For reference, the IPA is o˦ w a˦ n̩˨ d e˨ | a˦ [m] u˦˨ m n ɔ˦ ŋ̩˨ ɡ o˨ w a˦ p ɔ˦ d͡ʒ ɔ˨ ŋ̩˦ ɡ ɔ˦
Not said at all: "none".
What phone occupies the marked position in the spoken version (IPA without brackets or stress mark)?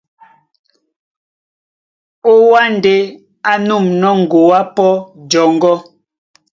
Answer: n